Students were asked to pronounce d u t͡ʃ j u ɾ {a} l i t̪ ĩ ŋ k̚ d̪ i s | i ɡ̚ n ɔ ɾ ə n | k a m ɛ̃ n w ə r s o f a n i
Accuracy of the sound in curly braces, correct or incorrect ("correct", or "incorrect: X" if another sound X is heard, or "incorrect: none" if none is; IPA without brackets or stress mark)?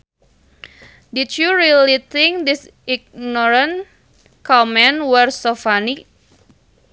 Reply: incorrect: i